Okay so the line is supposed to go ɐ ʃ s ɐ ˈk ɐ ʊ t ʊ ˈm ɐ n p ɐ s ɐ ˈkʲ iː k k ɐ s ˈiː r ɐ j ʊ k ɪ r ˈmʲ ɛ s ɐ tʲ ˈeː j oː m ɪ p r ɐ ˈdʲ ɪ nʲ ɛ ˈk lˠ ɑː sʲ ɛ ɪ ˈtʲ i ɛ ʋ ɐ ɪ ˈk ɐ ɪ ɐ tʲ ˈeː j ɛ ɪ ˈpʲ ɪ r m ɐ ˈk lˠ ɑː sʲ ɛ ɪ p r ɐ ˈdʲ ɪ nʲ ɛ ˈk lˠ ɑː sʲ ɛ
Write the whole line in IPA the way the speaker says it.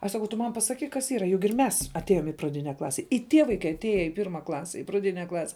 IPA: ɐ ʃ s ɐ ˈk ɐ ʊ t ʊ ˈm ɐ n p ɐ s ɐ ˈkʲ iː k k ɐ s ˈiː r ɐ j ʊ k ɪ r ˈmʲ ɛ s ɐ tʲ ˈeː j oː m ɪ p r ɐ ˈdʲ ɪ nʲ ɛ ˈk lˠ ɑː sʲ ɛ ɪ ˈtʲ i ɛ ʋ ɐ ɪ ˈk ɐ ɪ ɐ tʲ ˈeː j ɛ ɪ ˈpʲ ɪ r m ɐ ˈk lˠ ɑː sʲ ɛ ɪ p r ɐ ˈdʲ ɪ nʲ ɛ ˈk lˠ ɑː sʲ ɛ